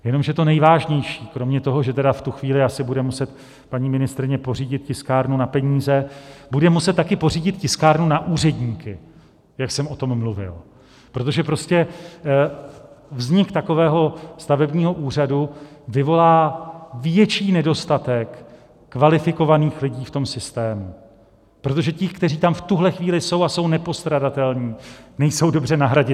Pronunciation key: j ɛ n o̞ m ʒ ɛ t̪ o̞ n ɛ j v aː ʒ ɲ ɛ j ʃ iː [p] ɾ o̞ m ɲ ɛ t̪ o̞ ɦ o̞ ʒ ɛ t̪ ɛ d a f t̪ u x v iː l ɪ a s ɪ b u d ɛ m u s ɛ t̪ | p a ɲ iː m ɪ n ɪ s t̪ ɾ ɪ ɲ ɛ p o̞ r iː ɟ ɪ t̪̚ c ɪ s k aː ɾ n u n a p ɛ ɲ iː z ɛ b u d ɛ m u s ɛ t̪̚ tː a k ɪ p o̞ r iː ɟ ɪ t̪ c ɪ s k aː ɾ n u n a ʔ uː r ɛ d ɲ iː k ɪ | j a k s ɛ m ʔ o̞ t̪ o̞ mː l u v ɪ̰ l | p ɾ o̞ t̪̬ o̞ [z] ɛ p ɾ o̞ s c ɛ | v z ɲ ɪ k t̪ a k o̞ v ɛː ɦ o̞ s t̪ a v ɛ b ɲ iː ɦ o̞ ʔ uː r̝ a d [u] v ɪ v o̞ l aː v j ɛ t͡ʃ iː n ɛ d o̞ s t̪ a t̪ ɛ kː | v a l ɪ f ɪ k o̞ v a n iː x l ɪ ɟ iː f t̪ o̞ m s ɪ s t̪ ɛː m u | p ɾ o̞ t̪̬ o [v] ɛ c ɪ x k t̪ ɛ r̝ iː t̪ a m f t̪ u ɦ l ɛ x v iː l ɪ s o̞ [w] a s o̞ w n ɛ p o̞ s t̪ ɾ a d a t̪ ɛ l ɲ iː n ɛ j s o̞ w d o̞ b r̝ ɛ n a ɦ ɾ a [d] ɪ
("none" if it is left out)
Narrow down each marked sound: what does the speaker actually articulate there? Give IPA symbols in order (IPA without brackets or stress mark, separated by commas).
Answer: k, ʒ, u, ʒ, w, ɟ